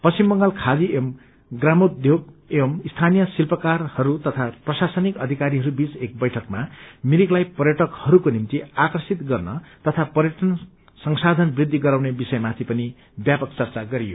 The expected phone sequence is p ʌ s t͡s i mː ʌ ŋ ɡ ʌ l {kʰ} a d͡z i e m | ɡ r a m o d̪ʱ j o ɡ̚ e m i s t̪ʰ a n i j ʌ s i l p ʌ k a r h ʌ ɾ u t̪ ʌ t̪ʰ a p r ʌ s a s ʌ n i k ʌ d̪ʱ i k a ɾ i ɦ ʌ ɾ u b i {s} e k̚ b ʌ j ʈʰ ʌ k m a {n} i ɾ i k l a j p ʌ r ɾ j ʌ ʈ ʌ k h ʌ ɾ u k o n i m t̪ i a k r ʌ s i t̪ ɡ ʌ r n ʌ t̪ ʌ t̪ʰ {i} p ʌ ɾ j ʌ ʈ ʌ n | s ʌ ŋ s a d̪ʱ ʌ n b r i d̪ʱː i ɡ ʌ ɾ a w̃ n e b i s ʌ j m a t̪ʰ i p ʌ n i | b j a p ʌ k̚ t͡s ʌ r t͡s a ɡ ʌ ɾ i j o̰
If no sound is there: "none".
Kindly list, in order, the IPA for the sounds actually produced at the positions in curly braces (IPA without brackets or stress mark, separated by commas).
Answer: kʰ, t͡s, m, a